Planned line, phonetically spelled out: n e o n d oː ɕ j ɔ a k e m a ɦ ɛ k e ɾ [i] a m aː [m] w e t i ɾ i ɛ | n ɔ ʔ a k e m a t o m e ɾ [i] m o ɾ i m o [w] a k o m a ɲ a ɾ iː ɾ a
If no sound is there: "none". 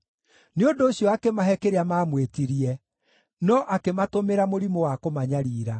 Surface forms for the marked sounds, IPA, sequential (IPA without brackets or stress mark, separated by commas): e, m, a, w